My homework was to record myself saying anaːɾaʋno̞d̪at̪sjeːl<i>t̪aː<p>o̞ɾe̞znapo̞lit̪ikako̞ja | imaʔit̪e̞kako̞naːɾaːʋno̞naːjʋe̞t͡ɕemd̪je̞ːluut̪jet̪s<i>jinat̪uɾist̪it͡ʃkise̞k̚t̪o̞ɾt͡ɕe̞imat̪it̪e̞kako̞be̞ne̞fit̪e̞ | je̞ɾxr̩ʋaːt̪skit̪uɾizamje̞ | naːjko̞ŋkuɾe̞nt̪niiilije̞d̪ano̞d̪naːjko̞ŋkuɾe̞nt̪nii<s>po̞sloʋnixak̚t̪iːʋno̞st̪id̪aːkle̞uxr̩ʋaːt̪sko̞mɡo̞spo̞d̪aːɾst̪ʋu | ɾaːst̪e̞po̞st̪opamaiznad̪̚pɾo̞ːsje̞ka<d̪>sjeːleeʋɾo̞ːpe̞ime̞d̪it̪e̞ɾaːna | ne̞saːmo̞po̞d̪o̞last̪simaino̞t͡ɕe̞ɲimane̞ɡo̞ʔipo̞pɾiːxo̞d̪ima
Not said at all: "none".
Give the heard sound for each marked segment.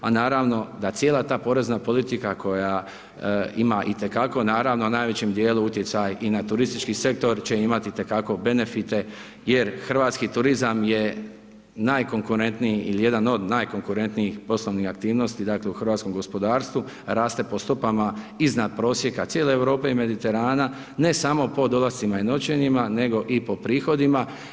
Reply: a, p, a, x, t̪

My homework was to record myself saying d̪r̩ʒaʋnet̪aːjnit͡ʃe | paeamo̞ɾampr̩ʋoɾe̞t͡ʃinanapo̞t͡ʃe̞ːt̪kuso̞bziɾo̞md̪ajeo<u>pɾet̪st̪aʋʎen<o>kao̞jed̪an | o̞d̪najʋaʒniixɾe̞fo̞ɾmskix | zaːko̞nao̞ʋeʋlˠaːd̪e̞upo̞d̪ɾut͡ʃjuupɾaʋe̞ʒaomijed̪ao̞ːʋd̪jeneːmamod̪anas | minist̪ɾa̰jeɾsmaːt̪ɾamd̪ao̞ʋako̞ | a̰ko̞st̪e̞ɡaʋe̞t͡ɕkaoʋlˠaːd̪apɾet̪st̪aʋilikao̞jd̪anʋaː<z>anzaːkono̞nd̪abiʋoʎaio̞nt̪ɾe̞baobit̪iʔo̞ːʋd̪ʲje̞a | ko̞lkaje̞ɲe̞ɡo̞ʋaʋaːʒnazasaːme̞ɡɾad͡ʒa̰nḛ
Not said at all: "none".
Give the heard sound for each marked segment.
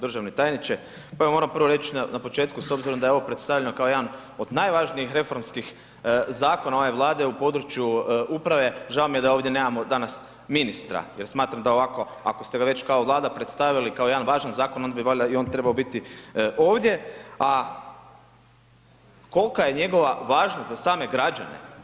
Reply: o, o, ʒ

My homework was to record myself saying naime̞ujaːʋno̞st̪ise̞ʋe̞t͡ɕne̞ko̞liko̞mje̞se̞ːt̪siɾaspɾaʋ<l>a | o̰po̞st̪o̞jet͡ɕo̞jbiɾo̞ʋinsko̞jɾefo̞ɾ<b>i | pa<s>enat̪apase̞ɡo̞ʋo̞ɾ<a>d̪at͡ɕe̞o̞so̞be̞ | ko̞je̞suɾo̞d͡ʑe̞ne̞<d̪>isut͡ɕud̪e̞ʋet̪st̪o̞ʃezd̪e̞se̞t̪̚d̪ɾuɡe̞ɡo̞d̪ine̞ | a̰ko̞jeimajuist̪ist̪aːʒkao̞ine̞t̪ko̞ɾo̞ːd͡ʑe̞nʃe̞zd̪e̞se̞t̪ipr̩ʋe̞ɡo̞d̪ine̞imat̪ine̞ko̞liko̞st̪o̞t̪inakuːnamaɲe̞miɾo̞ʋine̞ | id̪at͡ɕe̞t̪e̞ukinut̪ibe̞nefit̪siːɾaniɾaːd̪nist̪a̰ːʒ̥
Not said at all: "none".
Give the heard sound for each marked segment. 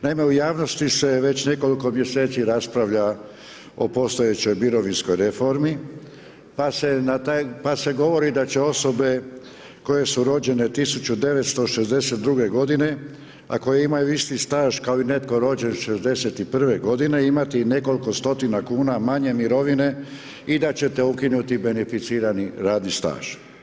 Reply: ʎ, m, s, i, t̪

